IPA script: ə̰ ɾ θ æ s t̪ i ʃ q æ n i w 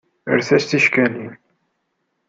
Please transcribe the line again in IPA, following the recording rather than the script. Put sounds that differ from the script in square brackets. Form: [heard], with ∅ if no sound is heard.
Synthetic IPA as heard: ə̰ ɾ θ æ s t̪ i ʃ [k] æ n i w